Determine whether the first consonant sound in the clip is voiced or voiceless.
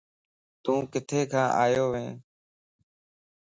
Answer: voiceless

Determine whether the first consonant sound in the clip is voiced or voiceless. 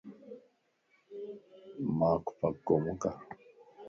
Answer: voiced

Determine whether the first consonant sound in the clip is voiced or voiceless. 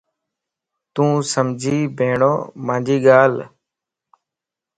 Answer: voiceless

